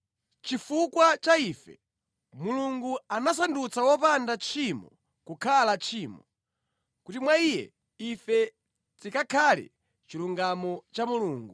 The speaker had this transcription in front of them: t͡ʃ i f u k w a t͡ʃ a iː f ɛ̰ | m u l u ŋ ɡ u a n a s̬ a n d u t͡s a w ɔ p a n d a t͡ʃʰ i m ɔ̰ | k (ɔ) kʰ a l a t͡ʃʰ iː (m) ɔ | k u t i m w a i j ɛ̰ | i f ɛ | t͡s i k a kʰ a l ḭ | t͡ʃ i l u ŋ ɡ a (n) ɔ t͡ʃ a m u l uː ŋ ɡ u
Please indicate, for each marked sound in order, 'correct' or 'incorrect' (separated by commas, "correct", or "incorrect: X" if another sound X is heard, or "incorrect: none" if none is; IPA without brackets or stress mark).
incorrect: u, correct, incorrect: m